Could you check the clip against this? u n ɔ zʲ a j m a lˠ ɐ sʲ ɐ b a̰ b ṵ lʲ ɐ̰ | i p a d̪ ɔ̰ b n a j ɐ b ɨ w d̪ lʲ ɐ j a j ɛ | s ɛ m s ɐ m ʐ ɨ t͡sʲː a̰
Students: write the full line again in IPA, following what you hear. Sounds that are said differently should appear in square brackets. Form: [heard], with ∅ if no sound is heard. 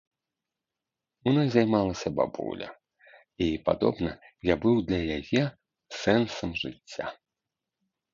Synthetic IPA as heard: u n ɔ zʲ a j m a lˠ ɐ sʲ ɐ b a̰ b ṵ lʲ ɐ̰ | i p a d̪ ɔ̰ b n [ɐ] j [a] b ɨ w d̪ lʲ ɐ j a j ɛ | s ɛ [n] s ɐ m ʐ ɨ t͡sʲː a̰